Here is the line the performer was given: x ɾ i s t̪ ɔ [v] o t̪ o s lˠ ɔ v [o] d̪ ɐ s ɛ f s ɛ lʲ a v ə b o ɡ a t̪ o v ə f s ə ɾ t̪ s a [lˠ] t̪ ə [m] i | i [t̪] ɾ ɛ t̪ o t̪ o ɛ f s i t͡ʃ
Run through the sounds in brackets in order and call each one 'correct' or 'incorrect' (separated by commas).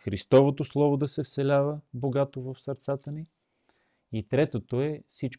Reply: correct, correct, incorrect, incorrect, correct